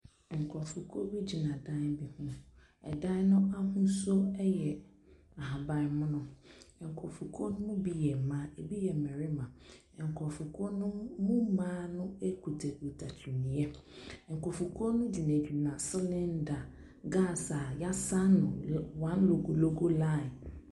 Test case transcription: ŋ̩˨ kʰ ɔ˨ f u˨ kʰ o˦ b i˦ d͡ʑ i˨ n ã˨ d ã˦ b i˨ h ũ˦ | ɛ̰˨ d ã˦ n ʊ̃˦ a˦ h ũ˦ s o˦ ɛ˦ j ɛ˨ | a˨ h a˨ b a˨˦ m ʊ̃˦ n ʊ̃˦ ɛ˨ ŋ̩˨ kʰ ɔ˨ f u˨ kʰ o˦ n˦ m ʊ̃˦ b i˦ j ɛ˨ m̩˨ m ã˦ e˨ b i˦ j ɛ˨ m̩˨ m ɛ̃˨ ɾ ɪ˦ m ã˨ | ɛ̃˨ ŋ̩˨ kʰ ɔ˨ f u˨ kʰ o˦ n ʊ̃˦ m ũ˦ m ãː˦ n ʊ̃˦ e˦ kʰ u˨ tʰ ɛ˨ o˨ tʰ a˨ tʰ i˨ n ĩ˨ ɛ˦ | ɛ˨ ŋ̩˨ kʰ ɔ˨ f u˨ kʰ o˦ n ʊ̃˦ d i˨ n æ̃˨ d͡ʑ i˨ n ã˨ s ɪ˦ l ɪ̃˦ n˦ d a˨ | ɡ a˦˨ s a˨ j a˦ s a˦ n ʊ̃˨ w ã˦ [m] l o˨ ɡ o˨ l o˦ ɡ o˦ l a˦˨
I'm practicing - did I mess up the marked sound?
yes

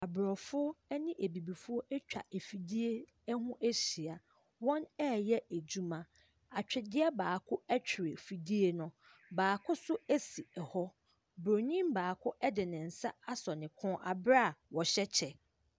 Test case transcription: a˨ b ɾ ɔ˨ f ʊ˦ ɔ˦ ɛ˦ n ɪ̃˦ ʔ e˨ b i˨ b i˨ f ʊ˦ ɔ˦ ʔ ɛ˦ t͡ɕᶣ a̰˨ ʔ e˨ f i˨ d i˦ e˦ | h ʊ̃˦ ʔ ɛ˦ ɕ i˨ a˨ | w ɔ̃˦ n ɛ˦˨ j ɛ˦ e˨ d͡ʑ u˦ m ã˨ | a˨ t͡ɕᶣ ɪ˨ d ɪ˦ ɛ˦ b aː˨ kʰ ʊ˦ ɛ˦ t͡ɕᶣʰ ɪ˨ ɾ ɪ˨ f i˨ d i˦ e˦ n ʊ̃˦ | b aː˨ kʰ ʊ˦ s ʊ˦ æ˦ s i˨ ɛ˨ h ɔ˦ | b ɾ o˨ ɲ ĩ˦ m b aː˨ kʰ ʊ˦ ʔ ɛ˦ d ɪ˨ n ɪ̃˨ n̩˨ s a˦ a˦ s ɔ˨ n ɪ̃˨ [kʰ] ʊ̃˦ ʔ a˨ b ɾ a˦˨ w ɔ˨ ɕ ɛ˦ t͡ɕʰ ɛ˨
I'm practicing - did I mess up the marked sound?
no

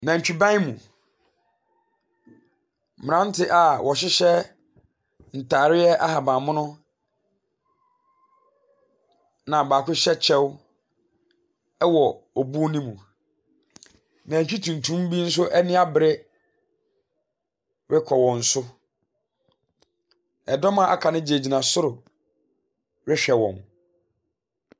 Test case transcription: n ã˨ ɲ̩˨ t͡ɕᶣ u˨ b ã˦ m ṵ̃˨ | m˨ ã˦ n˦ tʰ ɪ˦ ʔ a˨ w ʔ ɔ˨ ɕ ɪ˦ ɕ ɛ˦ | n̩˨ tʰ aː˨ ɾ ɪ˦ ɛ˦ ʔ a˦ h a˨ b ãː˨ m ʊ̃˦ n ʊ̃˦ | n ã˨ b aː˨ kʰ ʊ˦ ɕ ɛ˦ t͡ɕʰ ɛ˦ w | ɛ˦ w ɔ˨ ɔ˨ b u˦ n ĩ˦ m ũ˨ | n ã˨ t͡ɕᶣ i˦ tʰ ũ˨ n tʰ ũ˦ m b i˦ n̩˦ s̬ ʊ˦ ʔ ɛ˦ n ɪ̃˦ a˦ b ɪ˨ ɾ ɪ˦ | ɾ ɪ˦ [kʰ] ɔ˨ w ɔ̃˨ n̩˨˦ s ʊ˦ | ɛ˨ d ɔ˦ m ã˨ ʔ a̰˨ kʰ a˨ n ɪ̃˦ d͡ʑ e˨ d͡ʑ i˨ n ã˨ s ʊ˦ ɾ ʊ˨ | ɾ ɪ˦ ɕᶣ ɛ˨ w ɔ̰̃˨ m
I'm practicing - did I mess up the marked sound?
no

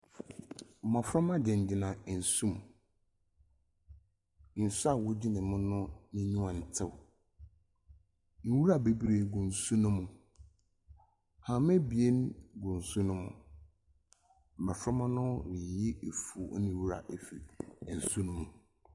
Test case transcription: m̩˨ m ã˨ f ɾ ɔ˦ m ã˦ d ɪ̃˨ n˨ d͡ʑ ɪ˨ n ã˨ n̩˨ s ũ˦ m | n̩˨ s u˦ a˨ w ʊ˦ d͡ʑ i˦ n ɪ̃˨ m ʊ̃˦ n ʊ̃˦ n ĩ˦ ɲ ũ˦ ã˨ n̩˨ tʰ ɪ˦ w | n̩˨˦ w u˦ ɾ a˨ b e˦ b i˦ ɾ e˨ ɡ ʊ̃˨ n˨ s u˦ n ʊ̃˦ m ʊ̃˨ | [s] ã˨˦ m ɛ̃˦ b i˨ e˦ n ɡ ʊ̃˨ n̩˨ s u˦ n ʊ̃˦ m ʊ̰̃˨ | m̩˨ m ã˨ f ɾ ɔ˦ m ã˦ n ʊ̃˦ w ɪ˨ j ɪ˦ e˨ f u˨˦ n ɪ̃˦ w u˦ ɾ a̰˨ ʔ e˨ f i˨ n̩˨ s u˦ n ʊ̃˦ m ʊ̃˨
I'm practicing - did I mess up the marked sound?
yes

